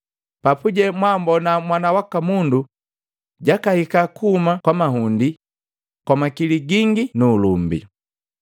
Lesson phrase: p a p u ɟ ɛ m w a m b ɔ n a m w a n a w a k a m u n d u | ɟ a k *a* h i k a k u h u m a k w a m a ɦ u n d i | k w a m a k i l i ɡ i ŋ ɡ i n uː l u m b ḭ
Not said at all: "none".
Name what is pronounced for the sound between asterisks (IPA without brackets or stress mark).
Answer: a